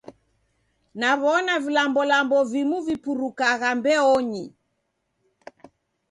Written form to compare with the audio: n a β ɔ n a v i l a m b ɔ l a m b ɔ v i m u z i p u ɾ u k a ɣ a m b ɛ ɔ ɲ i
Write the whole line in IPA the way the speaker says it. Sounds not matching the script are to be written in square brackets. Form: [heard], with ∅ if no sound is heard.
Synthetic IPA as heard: n a β ɔ n a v i l a m b ɔ l a m b ɔ v i m u [v] i p u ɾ u k a ɣ a m b ɛ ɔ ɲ i